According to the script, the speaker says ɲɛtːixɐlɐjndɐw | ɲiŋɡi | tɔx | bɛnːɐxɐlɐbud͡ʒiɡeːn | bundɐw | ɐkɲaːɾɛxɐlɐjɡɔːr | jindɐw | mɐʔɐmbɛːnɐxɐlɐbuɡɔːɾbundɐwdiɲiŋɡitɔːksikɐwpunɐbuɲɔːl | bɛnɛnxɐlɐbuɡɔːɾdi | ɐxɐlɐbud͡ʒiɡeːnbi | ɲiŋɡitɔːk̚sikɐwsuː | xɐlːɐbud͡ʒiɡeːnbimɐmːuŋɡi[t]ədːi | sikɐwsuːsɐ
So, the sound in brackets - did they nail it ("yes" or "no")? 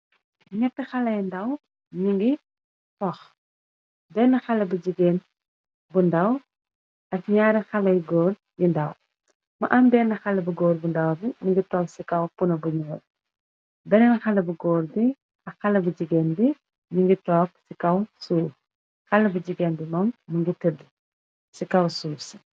yes